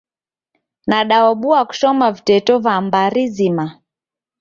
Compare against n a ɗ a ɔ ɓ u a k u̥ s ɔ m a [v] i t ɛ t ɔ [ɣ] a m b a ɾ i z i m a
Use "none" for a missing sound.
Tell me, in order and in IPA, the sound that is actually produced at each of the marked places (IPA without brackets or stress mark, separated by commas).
v, v